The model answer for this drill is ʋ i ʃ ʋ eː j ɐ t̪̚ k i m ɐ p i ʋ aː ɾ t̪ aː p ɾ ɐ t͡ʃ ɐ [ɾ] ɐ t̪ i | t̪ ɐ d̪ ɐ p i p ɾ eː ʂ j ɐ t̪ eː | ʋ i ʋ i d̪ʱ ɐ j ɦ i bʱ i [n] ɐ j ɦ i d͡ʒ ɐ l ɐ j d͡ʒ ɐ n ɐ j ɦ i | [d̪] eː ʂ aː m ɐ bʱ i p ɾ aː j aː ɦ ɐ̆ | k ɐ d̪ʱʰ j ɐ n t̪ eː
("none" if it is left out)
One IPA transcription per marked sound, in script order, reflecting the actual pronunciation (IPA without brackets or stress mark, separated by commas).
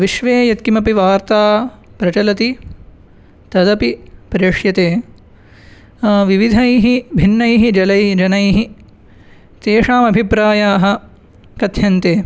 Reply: l, nː, t̪